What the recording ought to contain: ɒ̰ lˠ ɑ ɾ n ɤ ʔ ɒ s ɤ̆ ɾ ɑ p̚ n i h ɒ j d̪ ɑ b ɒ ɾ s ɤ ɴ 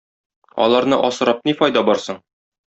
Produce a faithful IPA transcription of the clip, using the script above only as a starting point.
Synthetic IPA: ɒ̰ lˠ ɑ ɾ n ɤ ʔ ɒ s ɤ̆ ɾ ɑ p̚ n i f ɒ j d̪ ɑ b ɒ ɾ s ɤ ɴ